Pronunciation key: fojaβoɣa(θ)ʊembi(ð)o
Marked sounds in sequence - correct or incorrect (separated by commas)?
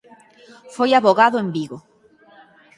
incorrect, incorrect